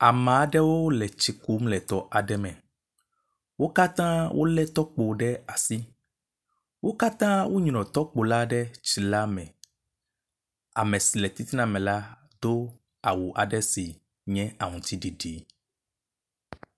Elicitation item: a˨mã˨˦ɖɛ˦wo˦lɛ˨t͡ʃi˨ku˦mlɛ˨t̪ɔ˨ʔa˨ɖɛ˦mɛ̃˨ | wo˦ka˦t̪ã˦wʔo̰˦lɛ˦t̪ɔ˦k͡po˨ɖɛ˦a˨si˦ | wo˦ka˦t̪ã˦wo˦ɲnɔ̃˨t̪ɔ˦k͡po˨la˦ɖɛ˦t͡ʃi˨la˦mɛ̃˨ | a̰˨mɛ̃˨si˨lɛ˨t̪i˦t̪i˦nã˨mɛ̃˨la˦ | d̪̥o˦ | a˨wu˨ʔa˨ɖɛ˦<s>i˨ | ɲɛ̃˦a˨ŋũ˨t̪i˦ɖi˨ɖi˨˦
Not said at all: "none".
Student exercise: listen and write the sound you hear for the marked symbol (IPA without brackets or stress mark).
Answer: s